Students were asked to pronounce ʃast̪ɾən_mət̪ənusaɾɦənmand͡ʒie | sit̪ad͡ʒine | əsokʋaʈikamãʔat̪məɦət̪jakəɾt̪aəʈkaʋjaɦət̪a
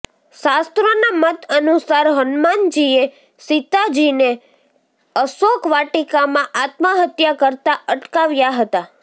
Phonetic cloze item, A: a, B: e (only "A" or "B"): A